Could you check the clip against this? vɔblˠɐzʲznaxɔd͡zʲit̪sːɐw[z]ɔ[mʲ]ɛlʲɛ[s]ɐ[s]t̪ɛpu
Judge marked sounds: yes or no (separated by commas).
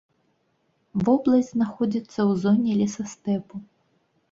yes, no, yes, yes